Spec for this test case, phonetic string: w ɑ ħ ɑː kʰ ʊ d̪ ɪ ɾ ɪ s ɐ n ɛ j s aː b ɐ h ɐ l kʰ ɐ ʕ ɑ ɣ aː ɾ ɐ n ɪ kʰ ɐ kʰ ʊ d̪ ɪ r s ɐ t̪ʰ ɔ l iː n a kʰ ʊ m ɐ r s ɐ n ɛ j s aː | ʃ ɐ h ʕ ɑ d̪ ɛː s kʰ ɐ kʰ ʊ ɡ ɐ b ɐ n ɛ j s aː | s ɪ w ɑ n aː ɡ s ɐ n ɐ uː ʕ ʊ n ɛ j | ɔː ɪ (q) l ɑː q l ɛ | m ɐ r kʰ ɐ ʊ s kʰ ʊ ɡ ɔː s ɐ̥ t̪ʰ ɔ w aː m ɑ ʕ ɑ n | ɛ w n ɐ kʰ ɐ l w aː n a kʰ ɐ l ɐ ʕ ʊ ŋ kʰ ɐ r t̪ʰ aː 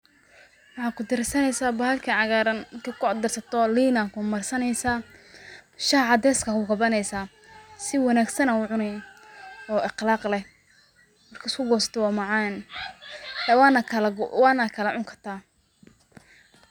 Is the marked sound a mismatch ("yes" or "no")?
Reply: no